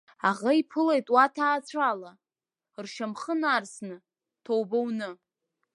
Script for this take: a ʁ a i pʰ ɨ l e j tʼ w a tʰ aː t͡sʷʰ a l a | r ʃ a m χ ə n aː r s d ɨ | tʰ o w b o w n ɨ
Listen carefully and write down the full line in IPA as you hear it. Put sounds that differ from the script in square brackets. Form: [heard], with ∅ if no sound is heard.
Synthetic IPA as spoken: a ʁ a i pʰ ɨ l e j tʼ w a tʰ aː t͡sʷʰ a l a | r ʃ a m χ ə n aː r s [n] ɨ | tʰ o w b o w n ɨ

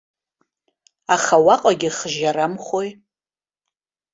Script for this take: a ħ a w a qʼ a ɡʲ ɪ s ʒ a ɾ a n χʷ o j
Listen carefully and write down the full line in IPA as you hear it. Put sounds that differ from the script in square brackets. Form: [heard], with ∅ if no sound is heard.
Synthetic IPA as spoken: a [χ] a w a qʼ a ɡʲ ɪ [χ] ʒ a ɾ a [m] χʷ o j

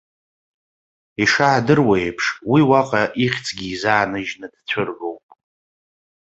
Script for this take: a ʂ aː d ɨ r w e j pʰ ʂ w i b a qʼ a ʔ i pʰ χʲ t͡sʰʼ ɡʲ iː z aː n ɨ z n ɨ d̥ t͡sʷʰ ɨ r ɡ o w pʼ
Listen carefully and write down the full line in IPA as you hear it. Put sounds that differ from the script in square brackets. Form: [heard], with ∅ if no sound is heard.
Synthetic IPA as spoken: [i] ʂ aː d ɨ r w e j pʰ ʂ w i [w] a qʼ a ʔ i [∅] χʲ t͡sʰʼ ɡʲ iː z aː n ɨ [ʒ] n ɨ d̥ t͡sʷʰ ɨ r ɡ o w pʼ

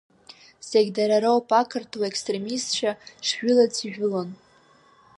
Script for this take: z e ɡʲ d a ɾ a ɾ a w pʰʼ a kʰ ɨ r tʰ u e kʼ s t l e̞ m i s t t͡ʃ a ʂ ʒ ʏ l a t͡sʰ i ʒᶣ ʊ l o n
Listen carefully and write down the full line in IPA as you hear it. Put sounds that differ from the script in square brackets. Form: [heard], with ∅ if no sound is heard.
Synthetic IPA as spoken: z e ɡʲ d a ɾ a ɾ a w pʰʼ a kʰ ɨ r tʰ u e [k] s t [r] e̞ m i s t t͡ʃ a ʂ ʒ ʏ l a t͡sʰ i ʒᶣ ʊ l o n

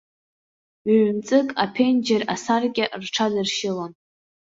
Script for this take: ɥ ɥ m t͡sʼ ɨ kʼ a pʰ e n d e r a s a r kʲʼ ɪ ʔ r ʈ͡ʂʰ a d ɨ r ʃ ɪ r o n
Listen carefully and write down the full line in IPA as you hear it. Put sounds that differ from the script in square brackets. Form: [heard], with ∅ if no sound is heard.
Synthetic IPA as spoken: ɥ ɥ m t͡sʼ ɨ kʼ a pʰ e n [d͡ʒ] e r a s a r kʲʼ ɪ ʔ r ʈ͡ʂʰ a d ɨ r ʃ ɪ [l] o n

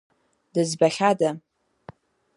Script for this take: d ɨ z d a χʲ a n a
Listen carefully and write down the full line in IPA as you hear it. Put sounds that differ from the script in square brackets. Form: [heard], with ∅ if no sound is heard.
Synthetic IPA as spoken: d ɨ z [b] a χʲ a [d] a

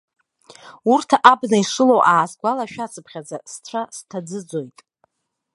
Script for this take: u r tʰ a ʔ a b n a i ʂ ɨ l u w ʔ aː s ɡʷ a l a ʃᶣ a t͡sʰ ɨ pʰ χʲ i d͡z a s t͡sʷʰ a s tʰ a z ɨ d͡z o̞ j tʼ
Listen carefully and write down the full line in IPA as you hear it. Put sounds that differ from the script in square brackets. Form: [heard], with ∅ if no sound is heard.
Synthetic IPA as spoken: u r tʰ a ʔ a b n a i ʂ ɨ l [o] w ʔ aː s ɡʷ a l a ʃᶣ a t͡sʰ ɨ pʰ χʲ [a] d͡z a s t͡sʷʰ a s tʰ a [d͡z] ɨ d͡z o̞ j tʼ

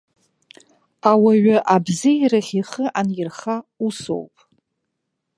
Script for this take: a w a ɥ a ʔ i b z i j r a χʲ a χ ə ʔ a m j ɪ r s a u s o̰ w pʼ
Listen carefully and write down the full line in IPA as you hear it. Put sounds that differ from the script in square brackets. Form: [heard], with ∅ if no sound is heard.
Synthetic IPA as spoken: a w a ɥ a ʔ [a] b z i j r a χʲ [i] χ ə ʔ a [n] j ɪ r [χ] a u s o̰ w pʼ

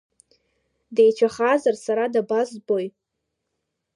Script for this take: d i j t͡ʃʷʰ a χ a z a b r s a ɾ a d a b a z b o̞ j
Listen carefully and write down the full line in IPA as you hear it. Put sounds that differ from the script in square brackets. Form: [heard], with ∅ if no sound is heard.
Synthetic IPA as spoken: d [e] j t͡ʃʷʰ a χ a z a [∅] r s a ɾ a d a b a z b o̞ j

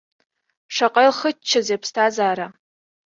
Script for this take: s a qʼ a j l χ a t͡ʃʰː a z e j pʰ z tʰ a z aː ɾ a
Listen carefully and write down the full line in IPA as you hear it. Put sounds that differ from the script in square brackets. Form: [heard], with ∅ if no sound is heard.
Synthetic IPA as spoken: [ʂ] a qʼ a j l χ [ə] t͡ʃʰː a z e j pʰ [s] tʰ a z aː ɾ a

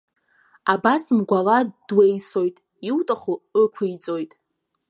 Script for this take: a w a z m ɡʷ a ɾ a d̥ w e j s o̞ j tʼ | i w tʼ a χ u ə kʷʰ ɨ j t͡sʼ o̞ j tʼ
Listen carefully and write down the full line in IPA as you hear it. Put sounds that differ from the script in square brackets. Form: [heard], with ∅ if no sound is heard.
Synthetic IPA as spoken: a [b] a [s] m ɡʷ a [l] a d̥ w e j s o̞ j tʼ | i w tʼ a χ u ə kʷʰ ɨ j t͡sʼ o̞ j tʼ

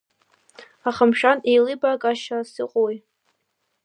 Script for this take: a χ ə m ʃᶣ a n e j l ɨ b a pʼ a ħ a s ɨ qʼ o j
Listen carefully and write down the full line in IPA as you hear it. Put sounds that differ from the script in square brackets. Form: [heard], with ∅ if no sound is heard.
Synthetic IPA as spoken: a χ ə m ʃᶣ a n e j l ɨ b a [kʼ] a [ʃ] a s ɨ qʼ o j

